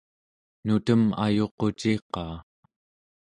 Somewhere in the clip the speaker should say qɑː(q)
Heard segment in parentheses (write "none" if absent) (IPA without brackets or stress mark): none